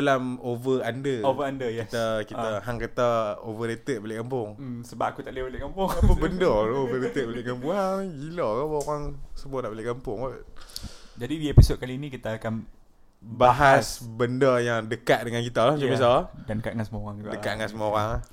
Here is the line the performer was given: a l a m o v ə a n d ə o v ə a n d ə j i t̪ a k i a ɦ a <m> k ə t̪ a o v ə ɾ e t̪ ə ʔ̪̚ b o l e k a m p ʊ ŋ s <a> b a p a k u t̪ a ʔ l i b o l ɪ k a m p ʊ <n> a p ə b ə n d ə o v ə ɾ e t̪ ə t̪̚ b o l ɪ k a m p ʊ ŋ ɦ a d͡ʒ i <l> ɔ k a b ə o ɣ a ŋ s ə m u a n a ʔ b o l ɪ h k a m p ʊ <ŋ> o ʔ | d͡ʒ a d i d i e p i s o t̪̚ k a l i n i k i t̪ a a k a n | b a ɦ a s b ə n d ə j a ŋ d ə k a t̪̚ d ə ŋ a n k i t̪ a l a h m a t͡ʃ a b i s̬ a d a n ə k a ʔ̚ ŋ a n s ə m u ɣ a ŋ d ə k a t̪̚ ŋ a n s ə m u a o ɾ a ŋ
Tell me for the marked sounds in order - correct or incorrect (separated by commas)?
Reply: incorrect, incorrect, incorrect, correct, correct